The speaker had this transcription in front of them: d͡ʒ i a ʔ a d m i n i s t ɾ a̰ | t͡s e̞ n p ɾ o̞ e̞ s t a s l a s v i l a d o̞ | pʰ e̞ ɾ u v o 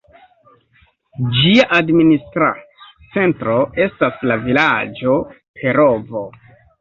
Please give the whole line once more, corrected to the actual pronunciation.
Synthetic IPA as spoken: d͡ʒ i a ʔ a d m i n i s t ɾ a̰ | t͡s e̞ n t ɾ o̞ e̞ s t a s l a v i l a d͡ʒ o̞ | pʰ e̞ ɾ o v o